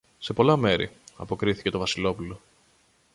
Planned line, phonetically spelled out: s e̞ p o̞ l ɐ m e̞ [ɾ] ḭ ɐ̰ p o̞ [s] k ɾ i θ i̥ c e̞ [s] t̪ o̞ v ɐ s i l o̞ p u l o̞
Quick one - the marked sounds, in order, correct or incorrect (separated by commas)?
correct, incorrect, incorrect